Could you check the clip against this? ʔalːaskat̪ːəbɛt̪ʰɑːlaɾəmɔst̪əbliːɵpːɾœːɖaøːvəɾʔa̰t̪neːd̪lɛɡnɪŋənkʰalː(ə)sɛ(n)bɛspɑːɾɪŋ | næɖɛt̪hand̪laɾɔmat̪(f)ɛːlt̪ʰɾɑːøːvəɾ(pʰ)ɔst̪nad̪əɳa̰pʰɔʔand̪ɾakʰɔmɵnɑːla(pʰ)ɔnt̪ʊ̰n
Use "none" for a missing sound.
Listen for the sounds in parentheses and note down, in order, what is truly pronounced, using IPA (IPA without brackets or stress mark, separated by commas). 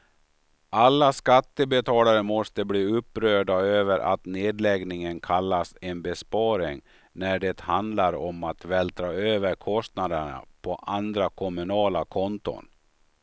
a, n, v, kʰ, kʰ